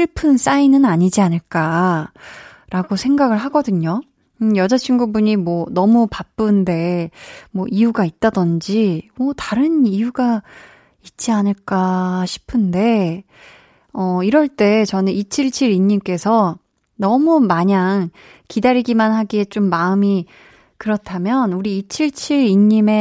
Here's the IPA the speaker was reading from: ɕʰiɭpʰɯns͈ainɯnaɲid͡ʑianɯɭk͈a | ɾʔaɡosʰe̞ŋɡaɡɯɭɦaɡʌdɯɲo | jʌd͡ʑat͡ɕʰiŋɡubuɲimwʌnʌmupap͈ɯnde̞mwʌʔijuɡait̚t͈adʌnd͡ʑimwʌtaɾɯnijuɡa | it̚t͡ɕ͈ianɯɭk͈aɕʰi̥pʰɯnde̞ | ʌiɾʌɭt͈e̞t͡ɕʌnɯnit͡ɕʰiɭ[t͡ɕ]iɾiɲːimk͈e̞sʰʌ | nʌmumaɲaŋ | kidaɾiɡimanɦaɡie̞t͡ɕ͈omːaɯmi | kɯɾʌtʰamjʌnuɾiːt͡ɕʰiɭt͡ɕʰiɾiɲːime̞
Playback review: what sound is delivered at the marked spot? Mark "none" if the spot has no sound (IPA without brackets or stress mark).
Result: t͡ɕʰ